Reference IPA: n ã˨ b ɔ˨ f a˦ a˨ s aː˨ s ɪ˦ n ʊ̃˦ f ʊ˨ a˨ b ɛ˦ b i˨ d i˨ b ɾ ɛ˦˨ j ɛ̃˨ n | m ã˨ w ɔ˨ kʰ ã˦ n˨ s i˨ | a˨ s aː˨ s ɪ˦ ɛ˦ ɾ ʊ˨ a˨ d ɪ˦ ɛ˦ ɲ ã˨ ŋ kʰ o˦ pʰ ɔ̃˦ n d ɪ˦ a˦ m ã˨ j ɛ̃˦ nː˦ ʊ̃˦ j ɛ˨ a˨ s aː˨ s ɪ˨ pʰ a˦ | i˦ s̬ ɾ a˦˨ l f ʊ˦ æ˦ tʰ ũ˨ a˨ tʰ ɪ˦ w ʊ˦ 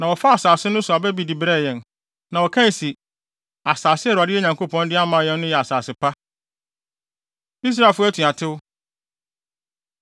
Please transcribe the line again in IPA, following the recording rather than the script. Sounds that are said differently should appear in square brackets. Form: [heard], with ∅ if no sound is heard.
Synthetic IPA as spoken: n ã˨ [w] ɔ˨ f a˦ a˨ s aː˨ s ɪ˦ n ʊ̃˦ [s] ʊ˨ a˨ b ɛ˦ b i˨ d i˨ b ɾ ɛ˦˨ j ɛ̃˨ n | [n] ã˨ w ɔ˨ kʰ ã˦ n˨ s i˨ | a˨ s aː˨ s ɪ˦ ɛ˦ ɾ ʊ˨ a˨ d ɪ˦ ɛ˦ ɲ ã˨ ŋ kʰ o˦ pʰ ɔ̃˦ n d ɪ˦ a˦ m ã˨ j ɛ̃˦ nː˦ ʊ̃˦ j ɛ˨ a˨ s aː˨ s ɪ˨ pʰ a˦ | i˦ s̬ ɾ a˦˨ l f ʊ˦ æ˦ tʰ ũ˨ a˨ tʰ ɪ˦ w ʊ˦